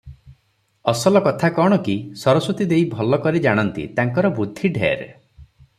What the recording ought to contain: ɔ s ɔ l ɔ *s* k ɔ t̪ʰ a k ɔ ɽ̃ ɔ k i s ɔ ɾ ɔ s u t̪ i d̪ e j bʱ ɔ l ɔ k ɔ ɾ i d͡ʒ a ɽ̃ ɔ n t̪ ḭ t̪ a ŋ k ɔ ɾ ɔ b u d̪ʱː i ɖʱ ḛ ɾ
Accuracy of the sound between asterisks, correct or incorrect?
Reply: incorrect